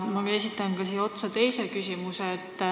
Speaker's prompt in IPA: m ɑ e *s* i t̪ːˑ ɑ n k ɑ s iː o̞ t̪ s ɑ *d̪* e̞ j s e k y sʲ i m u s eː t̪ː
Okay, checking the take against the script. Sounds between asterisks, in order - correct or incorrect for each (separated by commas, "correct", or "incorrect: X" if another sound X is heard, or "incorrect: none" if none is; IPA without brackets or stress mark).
correct, incorrect: t̪